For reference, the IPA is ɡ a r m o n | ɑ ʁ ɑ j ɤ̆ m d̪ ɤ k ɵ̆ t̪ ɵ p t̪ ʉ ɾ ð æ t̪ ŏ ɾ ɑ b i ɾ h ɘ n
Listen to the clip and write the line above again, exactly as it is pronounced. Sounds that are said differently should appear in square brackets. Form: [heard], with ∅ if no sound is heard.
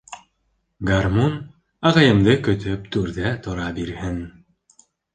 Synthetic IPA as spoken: ɡ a r m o n | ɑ ʁ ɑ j ɤ̆ m d̪ ɤ k ɵ̆ t̪ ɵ p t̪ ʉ ɾ ð æ t̪ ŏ ɾ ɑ b i ɾ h ɘ n